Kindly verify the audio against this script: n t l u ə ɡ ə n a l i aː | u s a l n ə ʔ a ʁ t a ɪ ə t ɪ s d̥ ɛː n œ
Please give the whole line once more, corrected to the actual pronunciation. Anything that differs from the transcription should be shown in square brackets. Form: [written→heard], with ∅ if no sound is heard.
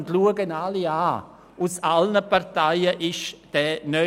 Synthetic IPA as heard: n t l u ə ɡ ə n a l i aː | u s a l n ə [ʔ→p] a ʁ t a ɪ ə [t→ʔ] ɪ [s→ʃ] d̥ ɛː n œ